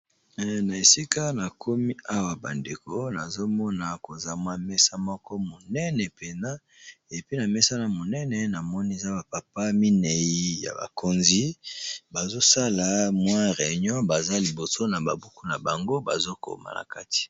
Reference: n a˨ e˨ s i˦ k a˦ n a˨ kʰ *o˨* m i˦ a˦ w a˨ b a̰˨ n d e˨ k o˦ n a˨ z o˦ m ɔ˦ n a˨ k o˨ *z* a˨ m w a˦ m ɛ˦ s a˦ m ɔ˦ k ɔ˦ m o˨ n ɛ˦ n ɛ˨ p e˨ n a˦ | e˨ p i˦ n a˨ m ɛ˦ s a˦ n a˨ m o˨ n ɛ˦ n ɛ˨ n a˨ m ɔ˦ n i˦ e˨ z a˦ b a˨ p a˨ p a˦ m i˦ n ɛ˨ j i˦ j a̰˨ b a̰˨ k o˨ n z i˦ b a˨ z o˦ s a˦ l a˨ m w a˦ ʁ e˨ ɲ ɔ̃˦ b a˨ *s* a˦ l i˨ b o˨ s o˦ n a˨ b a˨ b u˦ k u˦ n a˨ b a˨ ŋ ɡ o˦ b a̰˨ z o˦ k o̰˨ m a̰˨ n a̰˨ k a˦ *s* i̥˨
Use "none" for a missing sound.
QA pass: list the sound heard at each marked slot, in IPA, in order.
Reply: o˦, z, z, t

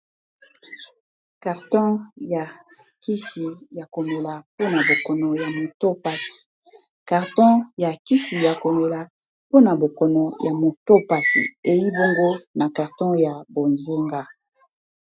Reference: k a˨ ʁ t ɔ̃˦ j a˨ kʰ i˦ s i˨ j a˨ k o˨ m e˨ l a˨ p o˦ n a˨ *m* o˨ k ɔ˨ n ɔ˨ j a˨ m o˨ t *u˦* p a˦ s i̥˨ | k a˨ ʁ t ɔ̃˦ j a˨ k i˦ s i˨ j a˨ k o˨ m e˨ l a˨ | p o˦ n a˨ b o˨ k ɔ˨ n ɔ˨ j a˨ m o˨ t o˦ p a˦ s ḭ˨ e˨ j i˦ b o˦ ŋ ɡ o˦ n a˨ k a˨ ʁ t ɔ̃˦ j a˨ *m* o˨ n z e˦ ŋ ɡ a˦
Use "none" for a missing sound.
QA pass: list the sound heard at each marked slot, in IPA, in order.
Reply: b, o˦, b

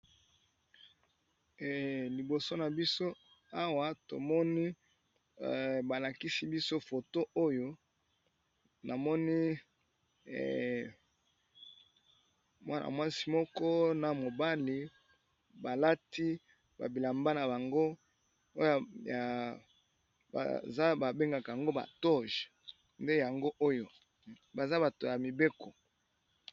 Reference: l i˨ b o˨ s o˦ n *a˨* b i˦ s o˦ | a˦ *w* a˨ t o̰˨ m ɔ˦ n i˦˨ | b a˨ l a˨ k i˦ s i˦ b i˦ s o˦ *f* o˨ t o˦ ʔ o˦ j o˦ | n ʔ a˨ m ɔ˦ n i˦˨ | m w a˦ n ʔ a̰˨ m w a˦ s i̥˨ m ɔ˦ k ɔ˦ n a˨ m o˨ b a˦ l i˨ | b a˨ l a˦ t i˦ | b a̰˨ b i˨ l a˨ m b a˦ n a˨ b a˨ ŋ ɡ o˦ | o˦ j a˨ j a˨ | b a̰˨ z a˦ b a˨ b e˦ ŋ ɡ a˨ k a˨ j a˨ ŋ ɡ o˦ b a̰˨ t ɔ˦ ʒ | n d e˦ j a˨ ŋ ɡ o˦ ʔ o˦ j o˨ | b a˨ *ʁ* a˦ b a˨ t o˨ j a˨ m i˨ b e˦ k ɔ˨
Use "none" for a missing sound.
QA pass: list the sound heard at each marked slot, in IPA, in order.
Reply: a˨, w, f, z

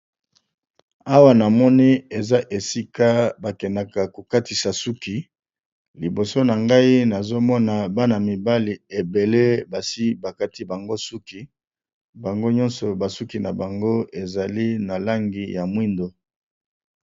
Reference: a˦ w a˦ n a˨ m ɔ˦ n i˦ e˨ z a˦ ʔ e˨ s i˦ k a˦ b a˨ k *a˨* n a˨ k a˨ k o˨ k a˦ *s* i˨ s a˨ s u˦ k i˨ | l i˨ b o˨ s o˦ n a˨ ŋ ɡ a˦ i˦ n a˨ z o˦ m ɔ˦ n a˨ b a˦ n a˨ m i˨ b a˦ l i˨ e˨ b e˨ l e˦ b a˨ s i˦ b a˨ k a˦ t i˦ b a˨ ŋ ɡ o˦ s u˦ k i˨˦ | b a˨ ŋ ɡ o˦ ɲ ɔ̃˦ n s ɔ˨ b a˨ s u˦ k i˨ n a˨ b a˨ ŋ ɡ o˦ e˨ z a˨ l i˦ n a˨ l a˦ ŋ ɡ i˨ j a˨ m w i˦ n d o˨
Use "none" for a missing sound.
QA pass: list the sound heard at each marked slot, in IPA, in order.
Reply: ɛ˨, t

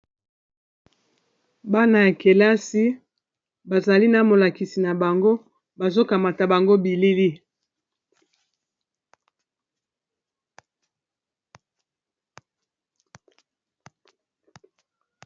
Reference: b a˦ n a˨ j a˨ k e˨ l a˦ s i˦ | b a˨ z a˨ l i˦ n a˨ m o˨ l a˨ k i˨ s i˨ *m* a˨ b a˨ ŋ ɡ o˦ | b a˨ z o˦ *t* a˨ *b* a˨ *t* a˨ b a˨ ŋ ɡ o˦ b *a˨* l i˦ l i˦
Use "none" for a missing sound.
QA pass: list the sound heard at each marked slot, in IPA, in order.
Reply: n, k, m, t, i˨

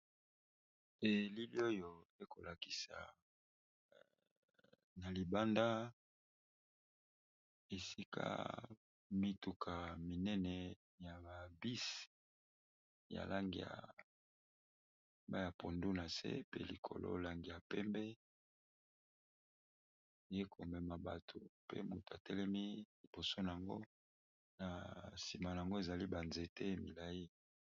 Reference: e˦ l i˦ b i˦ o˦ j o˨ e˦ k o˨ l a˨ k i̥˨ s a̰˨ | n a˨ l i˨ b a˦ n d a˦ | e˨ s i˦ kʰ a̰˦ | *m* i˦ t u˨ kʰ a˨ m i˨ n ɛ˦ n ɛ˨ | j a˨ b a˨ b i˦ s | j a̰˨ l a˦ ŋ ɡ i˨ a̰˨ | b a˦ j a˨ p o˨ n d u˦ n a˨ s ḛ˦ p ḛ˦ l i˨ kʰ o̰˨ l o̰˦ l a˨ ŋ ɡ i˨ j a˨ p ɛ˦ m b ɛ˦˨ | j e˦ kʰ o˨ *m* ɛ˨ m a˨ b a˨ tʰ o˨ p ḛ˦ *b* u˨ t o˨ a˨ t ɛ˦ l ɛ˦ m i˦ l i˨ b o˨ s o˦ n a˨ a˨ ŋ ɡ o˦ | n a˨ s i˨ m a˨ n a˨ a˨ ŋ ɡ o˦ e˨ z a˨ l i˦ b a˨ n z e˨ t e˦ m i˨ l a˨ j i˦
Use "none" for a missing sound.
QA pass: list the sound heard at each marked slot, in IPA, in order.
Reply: m, m, m

